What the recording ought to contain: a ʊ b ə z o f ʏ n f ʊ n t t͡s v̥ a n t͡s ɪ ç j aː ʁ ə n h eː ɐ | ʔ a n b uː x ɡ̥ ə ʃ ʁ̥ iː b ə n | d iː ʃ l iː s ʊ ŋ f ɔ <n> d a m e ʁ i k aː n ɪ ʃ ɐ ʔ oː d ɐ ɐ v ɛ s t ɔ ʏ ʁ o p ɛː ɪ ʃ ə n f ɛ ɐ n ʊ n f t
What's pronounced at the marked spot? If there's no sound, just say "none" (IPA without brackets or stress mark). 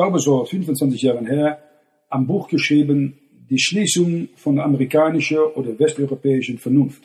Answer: n